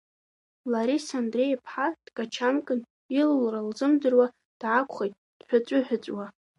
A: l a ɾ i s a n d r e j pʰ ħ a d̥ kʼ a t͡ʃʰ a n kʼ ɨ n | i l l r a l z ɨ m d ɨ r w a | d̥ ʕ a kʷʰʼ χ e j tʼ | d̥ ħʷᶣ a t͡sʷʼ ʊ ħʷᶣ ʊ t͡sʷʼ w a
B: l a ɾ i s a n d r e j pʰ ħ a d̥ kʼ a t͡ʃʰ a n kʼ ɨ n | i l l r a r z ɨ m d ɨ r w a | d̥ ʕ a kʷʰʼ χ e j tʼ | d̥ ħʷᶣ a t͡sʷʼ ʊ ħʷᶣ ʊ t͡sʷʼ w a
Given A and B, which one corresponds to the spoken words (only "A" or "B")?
A